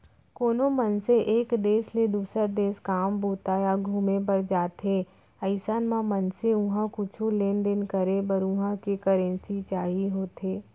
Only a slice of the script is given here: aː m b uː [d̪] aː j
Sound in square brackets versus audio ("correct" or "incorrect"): incorrect